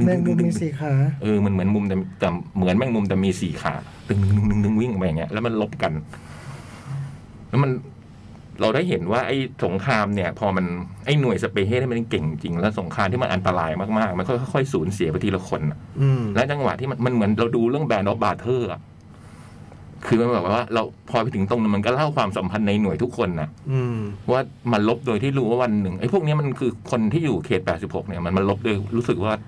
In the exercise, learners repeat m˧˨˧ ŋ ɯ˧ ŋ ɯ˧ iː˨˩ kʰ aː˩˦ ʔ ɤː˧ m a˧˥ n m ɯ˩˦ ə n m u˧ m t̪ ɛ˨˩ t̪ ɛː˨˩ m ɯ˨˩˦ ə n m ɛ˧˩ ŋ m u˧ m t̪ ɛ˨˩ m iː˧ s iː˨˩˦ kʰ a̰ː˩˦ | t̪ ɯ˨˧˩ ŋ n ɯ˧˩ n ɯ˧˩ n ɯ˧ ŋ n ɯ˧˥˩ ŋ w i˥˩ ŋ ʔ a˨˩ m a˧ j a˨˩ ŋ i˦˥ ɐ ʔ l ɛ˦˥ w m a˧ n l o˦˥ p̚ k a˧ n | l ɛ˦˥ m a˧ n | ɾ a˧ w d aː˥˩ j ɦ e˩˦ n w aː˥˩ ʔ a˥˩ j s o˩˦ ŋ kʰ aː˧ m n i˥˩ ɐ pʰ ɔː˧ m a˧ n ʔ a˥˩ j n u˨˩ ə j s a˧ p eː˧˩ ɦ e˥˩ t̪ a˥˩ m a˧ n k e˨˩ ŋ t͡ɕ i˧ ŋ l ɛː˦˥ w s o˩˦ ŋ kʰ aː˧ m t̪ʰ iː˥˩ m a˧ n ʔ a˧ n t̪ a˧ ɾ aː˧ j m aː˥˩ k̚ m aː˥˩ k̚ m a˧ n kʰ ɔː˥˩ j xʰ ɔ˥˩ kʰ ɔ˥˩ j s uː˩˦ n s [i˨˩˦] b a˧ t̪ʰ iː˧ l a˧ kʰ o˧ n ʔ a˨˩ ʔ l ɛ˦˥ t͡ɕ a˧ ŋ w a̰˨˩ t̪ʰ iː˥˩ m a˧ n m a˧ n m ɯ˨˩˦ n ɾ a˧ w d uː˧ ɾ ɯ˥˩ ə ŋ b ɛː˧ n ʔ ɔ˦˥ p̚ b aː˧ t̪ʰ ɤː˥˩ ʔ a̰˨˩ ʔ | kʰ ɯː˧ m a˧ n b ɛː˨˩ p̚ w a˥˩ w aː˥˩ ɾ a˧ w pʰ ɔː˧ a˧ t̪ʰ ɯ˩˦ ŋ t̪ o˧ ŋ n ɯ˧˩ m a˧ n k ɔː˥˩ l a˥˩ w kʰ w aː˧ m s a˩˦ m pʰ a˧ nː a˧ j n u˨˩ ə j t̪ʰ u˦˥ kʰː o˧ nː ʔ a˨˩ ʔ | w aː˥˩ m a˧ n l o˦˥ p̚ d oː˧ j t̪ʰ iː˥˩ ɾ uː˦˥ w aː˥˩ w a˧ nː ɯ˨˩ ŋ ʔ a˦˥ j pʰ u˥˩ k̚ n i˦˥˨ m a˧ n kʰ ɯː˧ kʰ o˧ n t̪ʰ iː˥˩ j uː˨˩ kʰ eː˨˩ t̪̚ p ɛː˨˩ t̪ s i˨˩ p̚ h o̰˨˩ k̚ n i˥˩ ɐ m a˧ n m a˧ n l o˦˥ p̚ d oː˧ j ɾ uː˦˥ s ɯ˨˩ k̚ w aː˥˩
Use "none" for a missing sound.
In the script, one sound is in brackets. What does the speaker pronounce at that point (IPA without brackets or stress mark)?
i˨˩˦